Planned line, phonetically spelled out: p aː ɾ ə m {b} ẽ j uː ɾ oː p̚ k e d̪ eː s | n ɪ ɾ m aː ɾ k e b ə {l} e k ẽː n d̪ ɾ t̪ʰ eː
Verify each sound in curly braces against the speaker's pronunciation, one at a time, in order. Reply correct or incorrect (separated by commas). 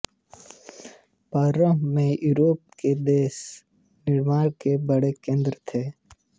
incorrect, incorrect